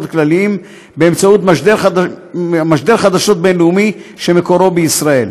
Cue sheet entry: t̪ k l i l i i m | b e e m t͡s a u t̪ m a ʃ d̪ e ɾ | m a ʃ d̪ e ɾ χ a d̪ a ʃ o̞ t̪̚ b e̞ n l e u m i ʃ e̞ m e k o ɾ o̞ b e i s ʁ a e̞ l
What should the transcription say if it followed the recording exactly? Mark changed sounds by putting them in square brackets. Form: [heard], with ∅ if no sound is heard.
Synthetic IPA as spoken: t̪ k l [a] l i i m | b e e m t͡s a u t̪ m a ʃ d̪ e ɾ | m a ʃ d̪ e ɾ χ a d̪ a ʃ o̞ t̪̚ b e̞ n l e u m i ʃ e̞ m e k o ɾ o̞ b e i s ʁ a e̞ l